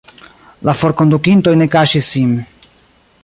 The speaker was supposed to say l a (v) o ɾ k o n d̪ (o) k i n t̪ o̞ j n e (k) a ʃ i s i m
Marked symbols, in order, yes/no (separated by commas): no, no, yes